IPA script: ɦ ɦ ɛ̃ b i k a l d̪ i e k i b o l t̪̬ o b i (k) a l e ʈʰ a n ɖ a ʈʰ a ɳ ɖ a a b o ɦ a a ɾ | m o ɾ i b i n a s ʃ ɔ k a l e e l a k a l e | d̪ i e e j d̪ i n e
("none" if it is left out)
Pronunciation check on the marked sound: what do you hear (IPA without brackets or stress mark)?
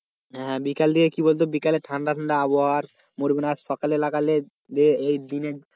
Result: k